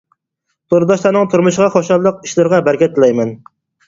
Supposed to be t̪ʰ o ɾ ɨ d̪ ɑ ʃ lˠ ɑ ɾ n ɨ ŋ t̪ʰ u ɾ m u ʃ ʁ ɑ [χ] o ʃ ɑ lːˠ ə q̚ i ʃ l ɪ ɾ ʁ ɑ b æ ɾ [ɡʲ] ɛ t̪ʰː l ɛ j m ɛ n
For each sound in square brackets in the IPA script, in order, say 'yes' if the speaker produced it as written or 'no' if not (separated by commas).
yes, no